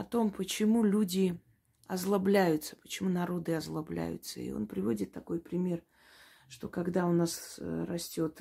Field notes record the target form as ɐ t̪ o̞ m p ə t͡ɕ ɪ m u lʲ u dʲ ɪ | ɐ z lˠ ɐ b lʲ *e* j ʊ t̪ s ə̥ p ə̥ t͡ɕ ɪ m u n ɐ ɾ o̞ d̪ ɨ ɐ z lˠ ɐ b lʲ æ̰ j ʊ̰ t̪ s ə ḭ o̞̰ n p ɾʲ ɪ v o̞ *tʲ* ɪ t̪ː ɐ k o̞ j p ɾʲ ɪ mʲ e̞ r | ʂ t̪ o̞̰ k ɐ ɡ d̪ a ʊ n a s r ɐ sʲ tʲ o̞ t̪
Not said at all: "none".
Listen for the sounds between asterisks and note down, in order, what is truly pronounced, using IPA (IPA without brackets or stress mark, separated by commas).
æ, dʲ